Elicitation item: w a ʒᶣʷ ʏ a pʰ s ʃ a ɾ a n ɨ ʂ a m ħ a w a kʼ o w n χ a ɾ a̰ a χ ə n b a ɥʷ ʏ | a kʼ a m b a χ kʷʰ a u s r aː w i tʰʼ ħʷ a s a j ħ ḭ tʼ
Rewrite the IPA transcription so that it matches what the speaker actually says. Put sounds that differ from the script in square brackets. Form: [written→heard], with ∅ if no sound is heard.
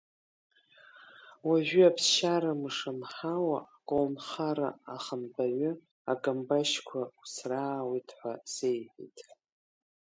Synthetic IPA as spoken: w a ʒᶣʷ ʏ a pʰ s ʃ a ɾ a [n→m] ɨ ʂ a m ħ a w a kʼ o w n χ a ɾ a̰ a χ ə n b a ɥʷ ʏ | a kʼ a m b a [χ→ʃ] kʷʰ a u s r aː w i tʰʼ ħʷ a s [a→e] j ħ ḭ tʼ

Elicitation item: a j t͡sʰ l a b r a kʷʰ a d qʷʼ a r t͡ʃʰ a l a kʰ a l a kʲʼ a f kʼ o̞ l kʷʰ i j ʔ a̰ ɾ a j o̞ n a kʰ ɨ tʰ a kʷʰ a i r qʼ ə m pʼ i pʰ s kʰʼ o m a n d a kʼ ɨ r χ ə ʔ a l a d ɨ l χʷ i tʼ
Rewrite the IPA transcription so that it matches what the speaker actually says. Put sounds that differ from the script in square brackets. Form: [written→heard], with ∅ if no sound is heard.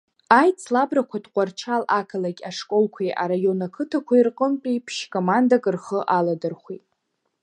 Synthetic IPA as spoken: a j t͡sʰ l a b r a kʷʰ a d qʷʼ a r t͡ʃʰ a l a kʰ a l a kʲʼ a [f→ʂ] kʼ o̞ l kʷʰ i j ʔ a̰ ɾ a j o̞ n a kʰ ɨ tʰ a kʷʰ a i r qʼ ə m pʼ i pʰ [s→ʃ] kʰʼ o m a n d a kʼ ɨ r χ ə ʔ a l a d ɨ [l→r] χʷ i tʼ

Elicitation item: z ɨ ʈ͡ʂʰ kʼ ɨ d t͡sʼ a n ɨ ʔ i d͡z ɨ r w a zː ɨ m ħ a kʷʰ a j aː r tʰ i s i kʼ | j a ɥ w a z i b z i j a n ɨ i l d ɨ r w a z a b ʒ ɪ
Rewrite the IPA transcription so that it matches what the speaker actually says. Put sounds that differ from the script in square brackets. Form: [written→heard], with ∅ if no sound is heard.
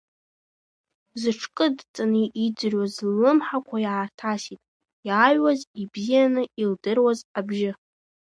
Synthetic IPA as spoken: z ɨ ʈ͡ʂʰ kʼ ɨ d t͡sʼ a n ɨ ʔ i d͡z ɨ r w a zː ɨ m ħ a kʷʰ a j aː r tʰ [i→a] s i [kʼ→tʼ] | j a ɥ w a z i b z i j a n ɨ i l d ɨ r w a z a b ʒ ɪ

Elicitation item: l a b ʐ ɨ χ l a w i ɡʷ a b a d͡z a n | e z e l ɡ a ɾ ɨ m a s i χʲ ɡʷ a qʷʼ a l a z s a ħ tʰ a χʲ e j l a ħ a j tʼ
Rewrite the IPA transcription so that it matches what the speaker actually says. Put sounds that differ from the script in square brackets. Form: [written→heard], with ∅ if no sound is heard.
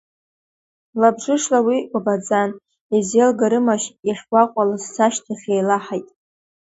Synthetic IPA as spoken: l a b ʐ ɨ [χ→ʂ] l a w i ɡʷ a b a d͡z a n | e z e l ɡ a ɾ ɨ m a [s→ʃ] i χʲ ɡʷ a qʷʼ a l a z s a [ħ→ʃ] tʰ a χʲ e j l a ħ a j tʼ

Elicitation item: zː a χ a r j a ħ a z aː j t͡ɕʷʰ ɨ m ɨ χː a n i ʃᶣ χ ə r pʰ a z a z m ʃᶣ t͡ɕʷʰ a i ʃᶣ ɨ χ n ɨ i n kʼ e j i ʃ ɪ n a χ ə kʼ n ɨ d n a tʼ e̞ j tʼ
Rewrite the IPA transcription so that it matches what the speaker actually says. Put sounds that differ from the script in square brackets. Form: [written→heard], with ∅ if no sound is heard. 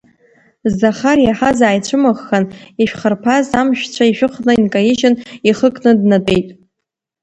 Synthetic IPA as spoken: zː a χ a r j a ħ a z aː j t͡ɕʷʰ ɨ m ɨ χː a n i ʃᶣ χ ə r pʰ a z a [z→∅] m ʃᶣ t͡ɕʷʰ a i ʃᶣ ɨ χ n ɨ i n kʼ [e→a] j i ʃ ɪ n [a→i] χ ə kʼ n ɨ d n a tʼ e̞ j tʼ

